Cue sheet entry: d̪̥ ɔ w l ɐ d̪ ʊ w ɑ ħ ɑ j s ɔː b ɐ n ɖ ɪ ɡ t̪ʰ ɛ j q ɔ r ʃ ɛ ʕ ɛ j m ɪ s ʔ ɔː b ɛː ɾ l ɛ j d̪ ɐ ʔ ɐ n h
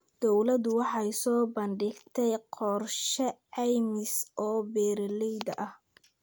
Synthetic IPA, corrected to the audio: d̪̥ ɔ w l ɐ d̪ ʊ w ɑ ħ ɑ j s ɔː b ɐ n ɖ ɪ ɡ t̪ʰ ɛ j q ɔ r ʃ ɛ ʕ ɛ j m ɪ s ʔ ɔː b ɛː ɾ l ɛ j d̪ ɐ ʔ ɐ h